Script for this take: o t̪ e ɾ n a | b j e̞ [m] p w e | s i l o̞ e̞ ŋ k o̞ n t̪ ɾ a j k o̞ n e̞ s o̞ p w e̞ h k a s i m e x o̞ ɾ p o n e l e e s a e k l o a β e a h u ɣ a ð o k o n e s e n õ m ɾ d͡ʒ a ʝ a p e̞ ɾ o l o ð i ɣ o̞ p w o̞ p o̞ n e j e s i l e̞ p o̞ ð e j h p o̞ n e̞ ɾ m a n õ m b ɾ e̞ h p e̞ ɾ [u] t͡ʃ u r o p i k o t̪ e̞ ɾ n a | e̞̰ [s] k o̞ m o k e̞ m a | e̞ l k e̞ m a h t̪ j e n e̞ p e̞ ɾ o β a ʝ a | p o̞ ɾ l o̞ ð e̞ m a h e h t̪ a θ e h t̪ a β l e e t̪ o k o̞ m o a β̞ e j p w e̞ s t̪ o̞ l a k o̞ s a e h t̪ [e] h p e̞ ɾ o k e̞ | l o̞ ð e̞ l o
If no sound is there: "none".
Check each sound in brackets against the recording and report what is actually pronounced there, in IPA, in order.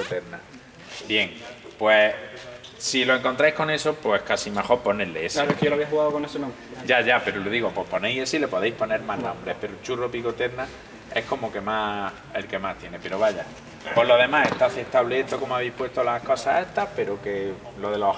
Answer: ŋ, o, h, a

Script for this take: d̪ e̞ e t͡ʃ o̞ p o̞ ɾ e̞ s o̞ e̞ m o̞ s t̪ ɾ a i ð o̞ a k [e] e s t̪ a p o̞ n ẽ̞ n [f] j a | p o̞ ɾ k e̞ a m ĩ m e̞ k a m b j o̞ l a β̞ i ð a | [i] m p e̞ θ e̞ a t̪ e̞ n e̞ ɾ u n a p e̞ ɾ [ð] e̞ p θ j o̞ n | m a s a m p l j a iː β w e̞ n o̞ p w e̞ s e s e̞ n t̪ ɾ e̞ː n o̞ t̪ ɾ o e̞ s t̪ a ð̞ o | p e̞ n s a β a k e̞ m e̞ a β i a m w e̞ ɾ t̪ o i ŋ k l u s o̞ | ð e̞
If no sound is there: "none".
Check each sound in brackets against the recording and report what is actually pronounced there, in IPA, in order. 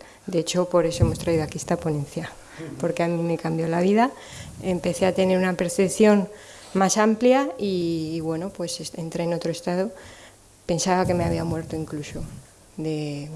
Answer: i, θ, e, θ

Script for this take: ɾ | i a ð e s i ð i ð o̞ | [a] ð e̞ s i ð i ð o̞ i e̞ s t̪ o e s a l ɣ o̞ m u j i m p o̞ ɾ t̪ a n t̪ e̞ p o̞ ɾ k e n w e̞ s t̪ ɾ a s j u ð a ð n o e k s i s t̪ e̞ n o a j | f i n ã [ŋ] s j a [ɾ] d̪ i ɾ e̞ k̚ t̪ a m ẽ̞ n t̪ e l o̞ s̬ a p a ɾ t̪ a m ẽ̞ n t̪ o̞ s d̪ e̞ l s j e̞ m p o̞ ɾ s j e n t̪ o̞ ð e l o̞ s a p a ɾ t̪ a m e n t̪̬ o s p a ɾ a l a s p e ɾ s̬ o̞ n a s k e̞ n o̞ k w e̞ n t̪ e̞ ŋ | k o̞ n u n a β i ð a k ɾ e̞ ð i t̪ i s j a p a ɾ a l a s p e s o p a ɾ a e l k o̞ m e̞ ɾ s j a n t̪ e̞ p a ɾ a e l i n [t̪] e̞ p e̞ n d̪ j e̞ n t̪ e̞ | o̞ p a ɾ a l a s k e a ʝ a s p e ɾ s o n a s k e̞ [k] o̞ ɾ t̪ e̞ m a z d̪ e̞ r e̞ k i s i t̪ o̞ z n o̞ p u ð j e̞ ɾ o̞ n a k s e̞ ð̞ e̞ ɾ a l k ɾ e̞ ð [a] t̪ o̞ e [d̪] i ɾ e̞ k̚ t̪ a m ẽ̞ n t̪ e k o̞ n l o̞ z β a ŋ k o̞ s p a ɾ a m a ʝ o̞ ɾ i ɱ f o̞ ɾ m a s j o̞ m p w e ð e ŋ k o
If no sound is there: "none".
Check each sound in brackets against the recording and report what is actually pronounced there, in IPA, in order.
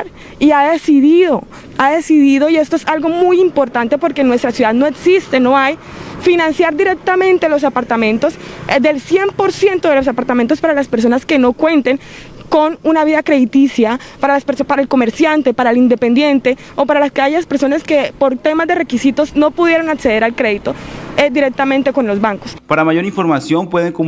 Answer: a, n, ɾ, d̪, p, i, d̪

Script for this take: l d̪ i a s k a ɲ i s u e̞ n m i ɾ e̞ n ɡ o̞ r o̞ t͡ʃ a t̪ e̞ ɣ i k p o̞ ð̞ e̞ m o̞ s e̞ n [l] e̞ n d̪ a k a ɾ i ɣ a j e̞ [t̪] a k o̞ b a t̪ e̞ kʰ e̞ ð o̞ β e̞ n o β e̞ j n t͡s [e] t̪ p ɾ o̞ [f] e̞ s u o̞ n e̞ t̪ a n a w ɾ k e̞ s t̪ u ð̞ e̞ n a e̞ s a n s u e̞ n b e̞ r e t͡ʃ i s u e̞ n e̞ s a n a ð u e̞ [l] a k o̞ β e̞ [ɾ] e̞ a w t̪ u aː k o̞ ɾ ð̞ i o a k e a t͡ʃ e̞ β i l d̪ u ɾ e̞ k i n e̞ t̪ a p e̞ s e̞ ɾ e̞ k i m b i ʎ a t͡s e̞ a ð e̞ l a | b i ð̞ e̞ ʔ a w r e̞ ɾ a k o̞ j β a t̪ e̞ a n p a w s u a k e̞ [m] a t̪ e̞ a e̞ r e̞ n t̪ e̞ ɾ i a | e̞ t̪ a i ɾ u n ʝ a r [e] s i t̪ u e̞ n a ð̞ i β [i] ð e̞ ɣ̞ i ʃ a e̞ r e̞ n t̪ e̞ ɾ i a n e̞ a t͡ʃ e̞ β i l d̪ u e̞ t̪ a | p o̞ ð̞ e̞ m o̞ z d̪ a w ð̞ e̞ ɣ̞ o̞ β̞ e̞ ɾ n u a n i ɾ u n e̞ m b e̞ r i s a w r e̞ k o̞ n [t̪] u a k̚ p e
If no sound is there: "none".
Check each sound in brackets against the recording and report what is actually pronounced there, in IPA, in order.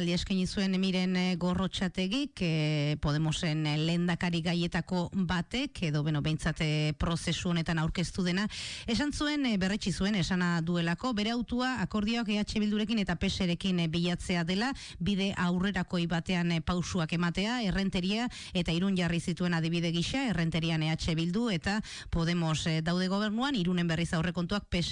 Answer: l, t̪, a, s, l, ɾ, m, i, i, t̪

